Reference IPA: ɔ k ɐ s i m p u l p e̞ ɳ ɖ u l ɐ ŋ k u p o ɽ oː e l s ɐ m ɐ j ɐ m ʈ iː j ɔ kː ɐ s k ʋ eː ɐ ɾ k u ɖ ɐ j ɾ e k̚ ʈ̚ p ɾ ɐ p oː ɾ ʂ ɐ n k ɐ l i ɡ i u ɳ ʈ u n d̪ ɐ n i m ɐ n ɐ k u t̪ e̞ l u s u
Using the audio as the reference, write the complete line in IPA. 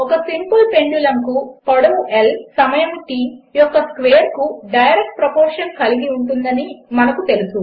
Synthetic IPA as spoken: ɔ k ɐ s i m p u l p e̞ ɳ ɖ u l ɐ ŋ k u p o ɽ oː e l s ɐ m ɐ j ɐ m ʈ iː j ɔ kː ɐ s k ʋ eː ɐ ɾ k u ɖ ɐ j ɾ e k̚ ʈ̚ p ɾ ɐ p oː ɾ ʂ ɐ n k ɐ l i ɡ i u ɳ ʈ u n d̪ ɐ n i m ɐ n ɐ k u t̪ e̞ l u s u